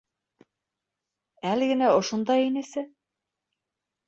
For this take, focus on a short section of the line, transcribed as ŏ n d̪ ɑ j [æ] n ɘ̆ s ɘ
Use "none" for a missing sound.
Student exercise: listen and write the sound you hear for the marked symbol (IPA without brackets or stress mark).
i